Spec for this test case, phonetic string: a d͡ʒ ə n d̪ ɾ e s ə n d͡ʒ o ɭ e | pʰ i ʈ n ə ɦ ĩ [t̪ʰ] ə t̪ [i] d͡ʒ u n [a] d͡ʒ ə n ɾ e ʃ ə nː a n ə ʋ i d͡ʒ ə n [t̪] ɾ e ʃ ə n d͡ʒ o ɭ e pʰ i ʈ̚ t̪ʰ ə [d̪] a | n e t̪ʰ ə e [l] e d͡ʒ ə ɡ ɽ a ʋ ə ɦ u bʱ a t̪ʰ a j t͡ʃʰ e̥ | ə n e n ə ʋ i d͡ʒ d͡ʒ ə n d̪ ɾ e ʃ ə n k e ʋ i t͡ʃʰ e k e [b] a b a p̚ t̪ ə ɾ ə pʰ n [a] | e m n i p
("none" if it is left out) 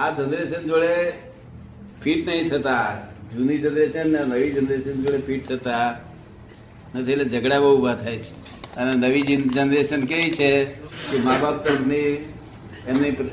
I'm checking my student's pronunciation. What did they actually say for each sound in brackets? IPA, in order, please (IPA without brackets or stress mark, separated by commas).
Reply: t̪ʰ, a, i, d̪, t̪, l, m, i